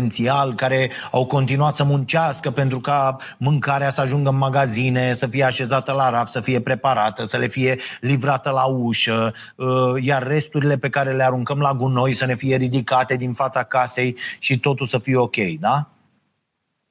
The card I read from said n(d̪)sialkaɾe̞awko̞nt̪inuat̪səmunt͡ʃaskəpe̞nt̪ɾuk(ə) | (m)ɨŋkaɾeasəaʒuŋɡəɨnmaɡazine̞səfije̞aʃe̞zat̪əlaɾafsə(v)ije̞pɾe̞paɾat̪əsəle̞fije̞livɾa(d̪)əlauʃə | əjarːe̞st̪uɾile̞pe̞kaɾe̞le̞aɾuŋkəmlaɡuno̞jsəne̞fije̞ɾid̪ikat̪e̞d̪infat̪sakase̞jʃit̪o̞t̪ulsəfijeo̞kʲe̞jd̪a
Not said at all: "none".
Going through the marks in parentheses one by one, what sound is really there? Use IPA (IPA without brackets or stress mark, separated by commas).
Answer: t̪, a, m, f, t̪